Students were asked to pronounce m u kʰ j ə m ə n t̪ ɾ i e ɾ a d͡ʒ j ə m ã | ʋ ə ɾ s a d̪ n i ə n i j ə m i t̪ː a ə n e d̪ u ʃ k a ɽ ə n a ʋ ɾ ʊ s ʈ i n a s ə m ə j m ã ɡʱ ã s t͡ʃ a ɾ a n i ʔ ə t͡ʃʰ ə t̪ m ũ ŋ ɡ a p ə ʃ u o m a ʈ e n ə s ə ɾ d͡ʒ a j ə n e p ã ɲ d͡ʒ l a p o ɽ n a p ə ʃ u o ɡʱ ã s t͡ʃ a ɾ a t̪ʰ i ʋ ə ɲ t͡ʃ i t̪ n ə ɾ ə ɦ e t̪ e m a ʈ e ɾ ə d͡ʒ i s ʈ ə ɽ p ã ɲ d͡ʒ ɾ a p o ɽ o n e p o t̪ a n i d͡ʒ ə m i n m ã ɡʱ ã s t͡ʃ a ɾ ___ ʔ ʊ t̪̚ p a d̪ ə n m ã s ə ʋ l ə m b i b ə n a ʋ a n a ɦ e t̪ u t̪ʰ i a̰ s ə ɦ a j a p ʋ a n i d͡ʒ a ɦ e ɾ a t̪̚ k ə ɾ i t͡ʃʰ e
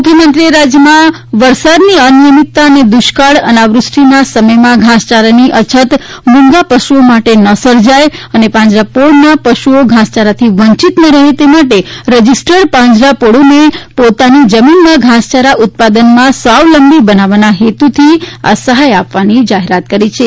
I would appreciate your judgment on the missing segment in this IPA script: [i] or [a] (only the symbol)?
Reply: a